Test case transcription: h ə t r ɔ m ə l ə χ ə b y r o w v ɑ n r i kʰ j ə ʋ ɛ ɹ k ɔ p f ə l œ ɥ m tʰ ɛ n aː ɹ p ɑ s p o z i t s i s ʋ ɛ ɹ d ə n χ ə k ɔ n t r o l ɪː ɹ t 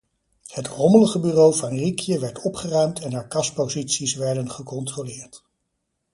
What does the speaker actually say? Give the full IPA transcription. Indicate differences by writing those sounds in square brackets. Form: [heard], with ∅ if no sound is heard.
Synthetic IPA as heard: h ə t r ɔ m ə l ə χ ə b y r o w v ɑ n r i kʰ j ə ʋ ɛ ɹ [t] ɔ p [χ] ə [r] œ ɥ m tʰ ɛ n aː ɹ [k] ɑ s p o z i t s i s ʋ ɛ ɹ d ə n χ ə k ɔ n t r o l ɪː ɹ t